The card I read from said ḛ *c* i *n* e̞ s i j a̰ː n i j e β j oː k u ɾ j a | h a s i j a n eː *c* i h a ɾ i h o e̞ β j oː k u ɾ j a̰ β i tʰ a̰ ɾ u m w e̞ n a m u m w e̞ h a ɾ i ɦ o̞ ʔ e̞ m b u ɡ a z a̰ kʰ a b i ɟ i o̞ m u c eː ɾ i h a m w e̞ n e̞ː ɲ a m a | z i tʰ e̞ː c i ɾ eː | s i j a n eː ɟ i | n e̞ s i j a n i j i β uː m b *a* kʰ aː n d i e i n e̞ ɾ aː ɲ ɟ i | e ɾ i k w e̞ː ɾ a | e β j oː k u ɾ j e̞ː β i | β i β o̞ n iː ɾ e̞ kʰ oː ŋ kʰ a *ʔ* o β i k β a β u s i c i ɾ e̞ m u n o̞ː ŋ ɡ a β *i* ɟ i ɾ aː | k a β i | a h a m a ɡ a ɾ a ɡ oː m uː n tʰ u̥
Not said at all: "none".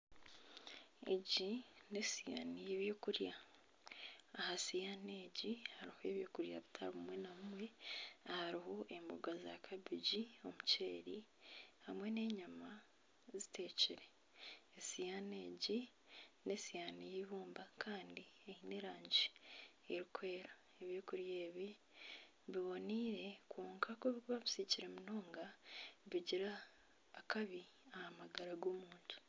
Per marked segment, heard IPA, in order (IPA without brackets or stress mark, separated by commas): ɟ, n, ɟ, a, k, i